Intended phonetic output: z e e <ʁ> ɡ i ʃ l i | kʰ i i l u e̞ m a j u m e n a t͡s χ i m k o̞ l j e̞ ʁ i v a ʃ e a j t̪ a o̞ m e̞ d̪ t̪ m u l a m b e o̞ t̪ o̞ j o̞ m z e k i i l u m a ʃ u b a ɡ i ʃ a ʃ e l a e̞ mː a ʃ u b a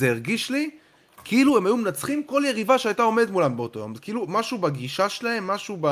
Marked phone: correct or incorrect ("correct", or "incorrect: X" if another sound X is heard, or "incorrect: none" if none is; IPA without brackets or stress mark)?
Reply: correct